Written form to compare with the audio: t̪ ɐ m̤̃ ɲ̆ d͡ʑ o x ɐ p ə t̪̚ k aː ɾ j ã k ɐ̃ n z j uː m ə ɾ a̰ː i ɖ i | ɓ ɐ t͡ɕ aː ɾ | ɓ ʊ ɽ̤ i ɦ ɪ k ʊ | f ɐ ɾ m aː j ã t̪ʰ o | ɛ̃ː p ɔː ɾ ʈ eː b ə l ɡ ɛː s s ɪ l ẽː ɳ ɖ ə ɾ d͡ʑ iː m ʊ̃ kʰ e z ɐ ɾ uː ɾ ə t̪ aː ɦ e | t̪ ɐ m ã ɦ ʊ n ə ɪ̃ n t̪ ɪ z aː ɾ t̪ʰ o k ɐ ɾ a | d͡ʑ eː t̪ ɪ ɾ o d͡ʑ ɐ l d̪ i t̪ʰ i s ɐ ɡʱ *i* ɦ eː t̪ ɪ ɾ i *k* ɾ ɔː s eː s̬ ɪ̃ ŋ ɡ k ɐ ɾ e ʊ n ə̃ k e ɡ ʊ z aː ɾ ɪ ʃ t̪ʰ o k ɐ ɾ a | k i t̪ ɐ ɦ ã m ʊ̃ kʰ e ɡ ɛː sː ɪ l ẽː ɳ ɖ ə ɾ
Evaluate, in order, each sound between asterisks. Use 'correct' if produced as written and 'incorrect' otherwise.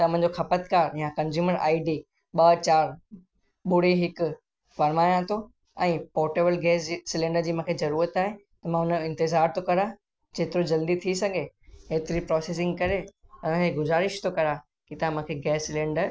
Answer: incorrect, incorrect

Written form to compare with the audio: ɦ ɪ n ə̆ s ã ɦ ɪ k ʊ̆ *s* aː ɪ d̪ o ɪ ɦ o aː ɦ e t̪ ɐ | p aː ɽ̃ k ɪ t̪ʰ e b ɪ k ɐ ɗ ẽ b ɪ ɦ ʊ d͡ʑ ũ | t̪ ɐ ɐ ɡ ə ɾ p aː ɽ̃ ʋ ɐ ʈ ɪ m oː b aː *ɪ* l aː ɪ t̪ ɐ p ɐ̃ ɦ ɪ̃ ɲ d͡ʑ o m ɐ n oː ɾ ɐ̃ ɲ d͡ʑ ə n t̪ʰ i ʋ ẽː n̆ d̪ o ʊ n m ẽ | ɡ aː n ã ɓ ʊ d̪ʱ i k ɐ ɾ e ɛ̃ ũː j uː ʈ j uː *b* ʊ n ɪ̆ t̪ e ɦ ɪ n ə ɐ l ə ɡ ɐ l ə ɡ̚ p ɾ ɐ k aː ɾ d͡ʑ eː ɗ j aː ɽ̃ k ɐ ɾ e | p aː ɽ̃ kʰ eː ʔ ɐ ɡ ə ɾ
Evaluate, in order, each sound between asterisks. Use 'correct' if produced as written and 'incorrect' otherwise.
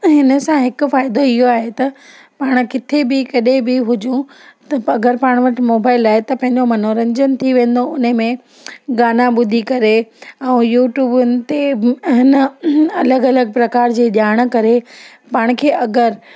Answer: incorrect, correct, correct

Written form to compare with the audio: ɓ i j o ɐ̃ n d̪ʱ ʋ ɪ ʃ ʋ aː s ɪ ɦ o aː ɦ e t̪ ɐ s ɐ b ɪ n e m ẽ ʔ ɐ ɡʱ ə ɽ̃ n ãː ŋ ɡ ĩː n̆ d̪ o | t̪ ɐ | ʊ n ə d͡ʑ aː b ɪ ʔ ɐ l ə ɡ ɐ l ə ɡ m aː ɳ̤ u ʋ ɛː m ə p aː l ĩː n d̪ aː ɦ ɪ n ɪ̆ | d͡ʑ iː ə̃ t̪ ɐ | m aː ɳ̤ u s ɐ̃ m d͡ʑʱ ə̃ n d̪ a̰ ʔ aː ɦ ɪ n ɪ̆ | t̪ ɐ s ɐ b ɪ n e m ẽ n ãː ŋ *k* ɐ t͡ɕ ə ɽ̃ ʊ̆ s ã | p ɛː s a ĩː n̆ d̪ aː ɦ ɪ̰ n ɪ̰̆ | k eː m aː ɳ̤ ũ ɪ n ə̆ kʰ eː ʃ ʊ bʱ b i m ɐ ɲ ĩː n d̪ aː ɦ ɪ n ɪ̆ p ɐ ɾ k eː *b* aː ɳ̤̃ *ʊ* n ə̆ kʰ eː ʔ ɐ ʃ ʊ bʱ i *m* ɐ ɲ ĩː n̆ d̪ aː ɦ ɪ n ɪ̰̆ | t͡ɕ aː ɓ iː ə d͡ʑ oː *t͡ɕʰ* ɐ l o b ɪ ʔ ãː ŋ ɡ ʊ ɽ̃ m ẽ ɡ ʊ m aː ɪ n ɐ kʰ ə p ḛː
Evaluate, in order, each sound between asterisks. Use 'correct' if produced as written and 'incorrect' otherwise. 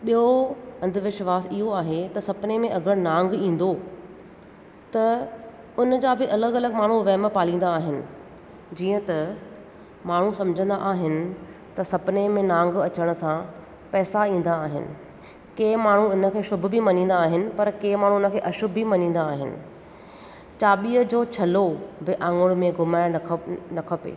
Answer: incorrect, incorrect, incorrect, correct, correct

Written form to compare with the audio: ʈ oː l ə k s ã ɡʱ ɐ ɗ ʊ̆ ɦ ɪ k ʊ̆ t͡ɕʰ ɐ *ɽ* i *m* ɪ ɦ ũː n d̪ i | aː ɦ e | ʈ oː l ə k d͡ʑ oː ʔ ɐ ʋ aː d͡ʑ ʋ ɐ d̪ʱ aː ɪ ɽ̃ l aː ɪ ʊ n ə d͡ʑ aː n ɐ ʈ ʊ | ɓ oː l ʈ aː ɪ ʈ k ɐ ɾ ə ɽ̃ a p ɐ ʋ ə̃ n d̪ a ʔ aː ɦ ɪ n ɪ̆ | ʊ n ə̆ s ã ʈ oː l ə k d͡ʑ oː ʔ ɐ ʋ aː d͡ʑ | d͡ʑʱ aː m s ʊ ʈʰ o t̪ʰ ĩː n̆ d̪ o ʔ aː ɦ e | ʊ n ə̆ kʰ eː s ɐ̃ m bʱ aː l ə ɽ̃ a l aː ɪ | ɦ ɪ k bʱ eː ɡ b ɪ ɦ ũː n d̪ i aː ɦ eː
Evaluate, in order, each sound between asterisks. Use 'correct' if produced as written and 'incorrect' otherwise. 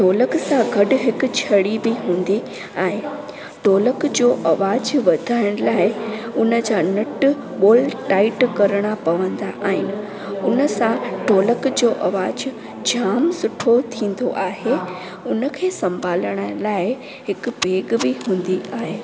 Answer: correct, incorrect

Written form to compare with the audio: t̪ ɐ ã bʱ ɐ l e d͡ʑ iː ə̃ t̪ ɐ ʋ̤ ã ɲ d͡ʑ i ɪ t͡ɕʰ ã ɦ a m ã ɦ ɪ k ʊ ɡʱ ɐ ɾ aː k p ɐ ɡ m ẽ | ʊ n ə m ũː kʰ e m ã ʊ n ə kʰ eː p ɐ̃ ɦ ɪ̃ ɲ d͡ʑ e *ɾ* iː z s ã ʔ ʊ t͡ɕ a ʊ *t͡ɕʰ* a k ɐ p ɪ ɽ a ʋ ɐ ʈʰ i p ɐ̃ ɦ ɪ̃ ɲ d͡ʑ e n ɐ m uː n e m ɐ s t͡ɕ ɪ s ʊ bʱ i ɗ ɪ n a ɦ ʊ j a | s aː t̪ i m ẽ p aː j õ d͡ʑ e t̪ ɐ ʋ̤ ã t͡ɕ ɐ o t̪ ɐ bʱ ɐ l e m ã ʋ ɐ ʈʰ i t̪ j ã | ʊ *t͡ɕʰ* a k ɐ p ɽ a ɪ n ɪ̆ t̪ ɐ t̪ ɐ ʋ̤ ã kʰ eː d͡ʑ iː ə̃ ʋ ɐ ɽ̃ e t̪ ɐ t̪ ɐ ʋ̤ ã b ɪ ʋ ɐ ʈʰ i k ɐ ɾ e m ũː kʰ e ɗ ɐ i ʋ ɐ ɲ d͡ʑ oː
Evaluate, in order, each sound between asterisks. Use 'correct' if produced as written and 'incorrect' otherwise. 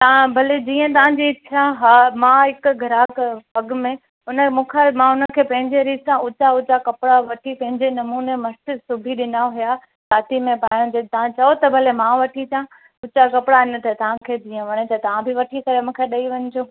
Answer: correct, incorrect, incorrect

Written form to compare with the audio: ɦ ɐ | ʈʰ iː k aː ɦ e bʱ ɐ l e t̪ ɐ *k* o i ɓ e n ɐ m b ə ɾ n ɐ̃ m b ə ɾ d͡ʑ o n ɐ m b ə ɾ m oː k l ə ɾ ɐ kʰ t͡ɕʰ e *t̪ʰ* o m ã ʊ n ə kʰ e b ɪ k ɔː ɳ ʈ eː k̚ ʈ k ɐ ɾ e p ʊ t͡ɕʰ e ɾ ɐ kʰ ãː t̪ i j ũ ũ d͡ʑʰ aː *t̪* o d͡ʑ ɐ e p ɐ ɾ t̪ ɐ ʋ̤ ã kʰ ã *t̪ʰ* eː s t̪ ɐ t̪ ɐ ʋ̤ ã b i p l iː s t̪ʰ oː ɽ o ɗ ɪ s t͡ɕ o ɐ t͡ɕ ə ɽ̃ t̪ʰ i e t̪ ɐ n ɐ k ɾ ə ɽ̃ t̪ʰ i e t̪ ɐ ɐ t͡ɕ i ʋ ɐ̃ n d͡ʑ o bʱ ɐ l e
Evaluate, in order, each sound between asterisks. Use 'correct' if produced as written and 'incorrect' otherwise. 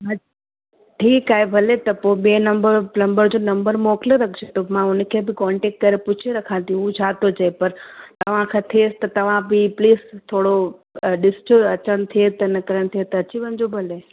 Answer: incorrect, incorrect, correct, correct

